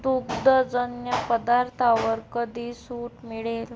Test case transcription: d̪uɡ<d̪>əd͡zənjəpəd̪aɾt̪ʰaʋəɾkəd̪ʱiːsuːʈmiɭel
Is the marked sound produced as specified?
yes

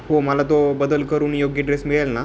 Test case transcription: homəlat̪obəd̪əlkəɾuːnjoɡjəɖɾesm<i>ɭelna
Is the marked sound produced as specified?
yes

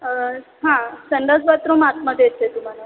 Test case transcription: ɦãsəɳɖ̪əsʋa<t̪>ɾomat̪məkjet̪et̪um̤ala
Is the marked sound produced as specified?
yes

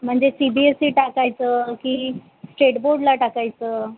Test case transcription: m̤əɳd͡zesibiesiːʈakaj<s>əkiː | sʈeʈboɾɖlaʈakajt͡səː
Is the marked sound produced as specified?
no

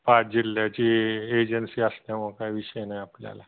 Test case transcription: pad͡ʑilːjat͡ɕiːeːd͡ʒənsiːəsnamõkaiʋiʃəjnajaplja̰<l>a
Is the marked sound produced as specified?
yes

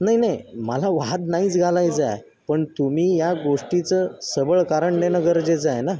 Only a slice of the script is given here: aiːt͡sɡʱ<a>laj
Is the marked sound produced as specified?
yes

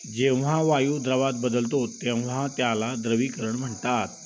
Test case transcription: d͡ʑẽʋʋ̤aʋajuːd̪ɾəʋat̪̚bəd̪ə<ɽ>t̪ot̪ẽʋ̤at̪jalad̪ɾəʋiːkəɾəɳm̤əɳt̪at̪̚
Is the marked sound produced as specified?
no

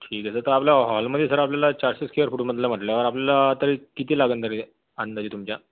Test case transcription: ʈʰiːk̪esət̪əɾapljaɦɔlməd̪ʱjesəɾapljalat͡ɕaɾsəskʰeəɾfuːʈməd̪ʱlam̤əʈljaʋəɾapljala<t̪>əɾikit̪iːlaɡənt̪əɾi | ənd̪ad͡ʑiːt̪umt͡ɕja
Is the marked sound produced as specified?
yes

